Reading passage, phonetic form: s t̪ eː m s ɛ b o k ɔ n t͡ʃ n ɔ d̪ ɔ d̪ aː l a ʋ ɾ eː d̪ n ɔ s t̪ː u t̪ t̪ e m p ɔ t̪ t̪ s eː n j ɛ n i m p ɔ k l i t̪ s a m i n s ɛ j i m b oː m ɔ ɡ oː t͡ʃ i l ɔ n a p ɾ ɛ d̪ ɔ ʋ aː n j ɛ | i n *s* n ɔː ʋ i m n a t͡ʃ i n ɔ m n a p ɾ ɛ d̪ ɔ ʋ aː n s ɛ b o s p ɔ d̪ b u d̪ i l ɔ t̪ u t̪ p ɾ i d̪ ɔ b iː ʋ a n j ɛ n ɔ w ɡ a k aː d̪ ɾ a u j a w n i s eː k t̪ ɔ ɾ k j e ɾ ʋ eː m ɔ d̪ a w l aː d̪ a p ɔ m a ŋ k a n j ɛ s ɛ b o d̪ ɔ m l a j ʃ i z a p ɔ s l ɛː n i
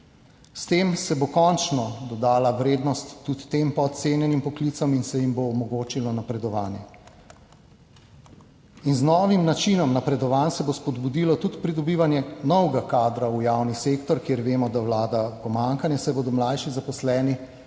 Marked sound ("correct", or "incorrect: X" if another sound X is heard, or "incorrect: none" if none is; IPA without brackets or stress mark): incorrect: z